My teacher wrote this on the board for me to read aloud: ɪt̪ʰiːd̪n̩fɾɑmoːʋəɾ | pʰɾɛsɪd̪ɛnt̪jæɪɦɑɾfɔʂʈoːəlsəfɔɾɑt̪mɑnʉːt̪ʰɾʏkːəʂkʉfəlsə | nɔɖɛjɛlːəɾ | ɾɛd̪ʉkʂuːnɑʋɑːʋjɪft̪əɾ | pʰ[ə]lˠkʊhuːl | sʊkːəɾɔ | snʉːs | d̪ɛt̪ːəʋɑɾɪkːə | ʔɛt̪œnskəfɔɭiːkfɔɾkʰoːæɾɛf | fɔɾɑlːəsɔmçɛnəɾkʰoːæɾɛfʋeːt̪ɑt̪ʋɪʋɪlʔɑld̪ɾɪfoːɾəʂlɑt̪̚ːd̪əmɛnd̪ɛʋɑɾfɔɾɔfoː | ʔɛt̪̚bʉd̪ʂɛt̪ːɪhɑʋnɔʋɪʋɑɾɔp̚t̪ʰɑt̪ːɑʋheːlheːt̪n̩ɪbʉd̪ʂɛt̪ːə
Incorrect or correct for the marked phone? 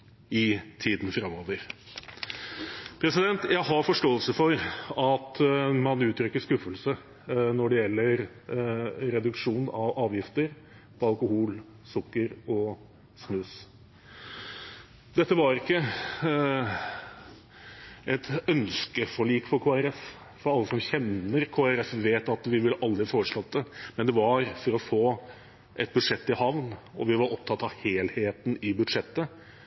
incorrect: ɑ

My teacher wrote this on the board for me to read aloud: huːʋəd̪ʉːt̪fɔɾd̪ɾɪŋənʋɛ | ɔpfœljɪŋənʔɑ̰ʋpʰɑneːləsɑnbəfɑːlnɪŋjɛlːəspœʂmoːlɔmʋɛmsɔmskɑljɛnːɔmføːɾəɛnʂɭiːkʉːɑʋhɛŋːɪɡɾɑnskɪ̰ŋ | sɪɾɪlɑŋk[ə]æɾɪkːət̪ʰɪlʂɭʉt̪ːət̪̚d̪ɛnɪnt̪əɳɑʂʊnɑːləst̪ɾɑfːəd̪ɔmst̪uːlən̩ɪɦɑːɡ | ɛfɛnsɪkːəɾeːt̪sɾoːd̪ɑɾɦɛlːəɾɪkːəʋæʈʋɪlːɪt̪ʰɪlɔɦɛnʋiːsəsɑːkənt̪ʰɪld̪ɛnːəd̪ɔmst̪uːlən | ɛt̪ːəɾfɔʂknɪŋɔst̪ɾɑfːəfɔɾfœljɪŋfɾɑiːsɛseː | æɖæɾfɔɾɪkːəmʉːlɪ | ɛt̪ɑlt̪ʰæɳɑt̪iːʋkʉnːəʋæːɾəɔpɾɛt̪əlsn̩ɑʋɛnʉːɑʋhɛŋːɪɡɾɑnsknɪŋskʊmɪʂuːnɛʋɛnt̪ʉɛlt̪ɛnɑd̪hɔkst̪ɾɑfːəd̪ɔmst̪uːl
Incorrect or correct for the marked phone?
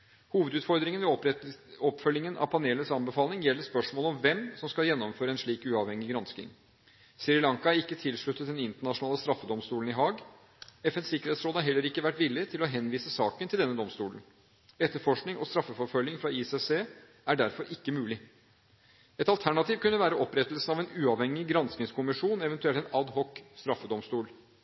incorrect: ɑ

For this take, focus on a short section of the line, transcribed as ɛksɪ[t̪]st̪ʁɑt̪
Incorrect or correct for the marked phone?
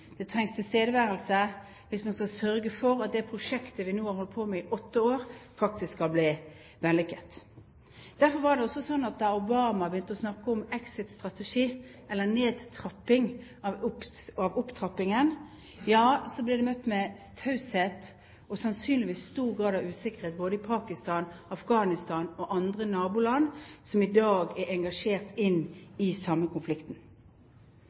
correct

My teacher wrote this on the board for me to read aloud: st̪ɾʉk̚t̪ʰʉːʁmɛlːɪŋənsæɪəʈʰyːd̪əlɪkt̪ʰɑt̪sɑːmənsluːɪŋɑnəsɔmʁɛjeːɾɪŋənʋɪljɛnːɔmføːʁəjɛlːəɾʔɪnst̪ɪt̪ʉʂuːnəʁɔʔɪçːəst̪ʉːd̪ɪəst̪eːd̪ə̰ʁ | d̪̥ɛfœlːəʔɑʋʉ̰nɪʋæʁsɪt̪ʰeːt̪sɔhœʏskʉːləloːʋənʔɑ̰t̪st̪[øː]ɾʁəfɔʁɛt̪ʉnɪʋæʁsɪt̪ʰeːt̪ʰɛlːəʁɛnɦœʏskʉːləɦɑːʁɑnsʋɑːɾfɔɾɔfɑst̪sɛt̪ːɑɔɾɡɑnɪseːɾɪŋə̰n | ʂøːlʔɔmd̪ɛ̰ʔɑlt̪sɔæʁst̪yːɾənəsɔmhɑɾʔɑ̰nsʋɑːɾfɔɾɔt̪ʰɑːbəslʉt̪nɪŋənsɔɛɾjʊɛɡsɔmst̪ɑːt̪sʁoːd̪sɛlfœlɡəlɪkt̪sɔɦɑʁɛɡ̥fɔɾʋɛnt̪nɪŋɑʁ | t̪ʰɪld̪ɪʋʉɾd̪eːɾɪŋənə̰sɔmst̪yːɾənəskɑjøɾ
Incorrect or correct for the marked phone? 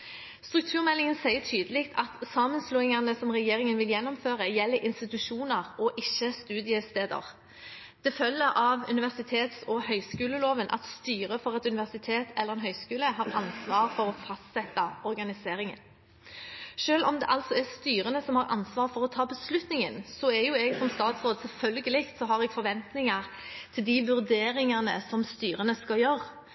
incorrect: yː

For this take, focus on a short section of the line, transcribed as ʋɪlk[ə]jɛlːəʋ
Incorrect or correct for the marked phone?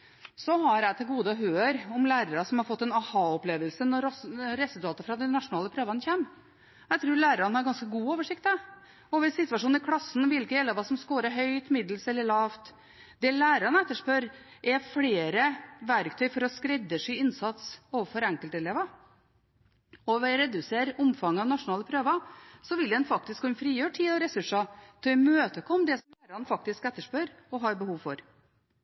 correct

